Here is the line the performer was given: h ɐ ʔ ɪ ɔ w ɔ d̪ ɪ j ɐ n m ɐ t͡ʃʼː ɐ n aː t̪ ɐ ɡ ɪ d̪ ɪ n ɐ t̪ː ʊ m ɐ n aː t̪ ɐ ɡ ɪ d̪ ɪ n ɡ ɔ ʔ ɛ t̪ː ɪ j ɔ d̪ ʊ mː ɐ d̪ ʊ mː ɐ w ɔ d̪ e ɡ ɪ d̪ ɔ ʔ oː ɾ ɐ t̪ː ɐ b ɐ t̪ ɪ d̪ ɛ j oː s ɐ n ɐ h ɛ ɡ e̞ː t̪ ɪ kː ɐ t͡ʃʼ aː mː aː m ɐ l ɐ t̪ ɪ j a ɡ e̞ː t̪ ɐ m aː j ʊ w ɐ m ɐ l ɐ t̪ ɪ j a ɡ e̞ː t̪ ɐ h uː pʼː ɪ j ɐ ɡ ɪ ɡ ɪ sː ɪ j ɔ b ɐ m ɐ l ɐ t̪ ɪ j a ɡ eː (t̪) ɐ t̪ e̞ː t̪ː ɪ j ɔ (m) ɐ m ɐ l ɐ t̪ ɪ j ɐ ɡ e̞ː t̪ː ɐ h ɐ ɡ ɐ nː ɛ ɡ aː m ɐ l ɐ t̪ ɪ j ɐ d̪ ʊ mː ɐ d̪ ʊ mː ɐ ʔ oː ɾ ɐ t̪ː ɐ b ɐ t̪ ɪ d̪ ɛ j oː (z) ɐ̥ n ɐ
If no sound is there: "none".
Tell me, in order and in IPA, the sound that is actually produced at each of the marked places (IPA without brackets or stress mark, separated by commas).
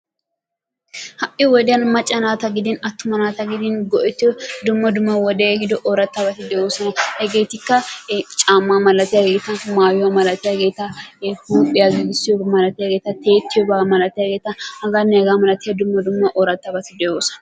t̪, b, s